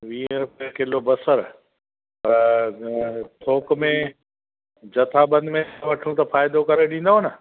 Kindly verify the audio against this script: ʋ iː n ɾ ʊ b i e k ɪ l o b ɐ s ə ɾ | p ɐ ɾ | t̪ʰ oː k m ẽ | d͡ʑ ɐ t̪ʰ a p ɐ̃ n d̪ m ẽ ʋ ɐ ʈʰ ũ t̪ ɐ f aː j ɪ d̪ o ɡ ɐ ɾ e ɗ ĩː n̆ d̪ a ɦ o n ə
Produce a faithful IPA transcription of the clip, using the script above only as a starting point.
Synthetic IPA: ʋ iː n ɾ ʊ p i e k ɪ l o b ɐ s ə ɾ | p ɐ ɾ | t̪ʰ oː k m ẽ | d͡ʑ ɐ t̪ʰ a b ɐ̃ n d̪ m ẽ ʋ ɐ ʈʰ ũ t̪ ɐ f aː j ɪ d̪ o k ɐ ɾ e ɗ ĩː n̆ d̪ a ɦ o n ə